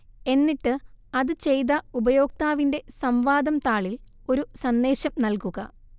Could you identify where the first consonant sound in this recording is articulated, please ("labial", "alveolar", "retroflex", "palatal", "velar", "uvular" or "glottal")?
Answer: alveolar